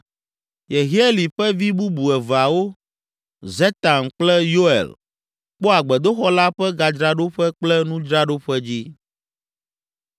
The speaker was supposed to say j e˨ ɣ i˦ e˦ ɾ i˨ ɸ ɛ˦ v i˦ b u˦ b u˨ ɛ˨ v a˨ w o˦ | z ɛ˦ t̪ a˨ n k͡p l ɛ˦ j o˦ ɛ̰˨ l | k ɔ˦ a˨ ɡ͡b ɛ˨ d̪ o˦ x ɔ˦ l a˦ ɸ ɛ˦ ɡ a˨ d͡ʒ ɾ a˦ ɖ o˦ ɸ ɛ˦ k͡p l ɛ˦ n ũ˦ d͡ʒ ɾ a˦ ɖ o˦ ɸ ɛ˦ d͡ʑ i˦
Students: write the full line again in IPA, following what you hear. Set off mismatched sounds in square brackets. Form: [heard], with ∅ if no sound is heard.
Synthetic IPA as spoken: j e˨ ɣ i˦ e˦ [l] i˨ ɸ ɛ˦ v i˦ b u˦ b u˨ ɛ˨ v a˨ w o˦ | z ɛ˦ t̪ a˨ n k͡p l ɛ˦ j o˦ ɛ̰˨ l | [k͡p] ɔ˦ a˨ ɡ͡b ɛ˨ d̪ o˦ x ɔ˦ l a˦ ɸ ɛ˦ ɡ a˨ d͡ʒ ɾ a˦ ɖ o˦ ɸ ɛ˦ k͡p l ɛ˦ n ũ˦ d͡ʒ ɾ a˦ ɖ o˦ ɸ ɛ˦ d͡ʑ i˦